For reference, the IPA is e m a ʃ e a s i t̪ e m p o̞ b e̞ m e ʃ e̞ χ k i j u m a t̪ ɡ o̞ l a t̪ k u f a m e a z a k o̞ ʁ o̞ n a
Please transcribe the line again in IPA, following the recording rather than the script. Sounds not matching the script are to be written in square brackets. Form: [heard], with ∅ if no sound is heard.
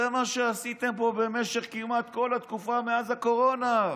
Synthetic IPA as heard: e m a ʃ e a s i t̪ e m p o̞ b e̞ m e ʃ e̞ χ k i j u m a t̪ [k] o̞ l a t̪ k u f a m e a z a k o̞ ʁ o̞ n a